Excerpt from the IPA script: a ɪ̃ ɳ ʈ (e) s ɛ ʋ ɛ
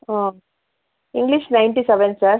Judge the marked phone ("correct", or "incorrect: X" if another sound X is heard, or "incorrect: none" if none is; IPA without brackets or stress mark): incorrect: i